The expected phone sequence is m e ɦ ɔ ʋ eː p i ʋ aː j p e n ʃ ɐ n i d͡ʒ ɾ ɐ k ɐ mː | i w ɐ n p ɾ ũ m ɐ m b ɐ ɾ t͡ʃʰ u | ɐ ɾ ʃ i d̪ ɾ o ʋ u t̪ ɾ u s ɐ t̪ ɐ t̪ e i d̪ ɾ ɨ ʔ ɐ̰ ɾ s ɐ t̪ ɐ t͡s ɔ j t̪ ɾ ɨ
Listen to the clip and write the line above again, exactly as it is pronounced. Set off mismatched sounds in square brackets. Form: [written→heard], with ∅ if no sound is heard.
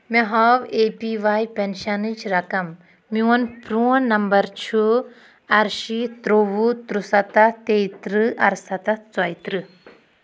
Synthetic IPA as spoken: m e ɦ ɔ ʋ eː p i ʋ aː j p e n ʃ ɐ n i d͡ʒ ɾ ɐ k ɐ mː | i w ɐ n p ɾ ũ [m→n] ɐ m b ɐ ɾ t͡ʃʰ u | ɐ ɾ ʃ i [d̪→t̪] ɾ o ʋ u t̪ ɾ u s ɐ t̪ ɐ t̪ e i [d̪→t̪] ɾ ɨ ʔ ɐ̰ ɾ s ɐ t̪ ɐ t͡s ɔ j t̪ ɾ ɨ